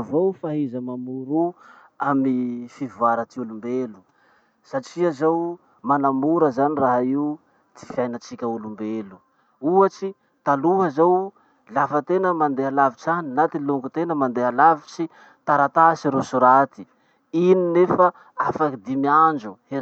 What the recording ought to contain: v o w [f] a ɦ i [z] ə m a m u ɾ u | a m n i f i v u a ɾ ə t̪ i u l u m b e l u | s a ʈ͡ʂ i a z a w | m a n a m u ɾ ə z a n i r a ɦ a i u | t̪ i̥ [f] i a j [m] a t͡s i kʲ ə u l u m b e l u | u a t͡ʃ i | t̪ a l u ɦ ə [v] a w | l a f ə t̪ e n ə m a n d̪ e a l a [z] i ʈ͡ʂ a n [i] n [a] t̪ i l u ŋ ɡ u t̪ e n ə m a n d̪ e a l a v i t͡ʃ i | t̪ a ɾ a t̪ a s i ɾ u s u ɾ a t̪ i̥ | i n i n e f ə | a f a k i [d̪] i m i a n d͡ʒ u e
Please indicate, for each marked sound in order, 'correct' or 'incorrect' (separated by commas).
correct, correct, correct, incorrect, incorrect, incorrect, correct, correct, correct